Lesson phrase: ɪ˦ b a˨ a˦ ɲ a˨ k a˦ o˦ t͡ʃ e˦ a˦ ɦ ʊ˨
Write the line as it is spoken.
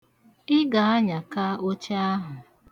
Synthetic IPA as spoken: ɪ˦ ɡ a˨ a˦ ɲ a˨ k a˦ o˦ t͡ʃ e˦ a˦ ɦ ʊ˨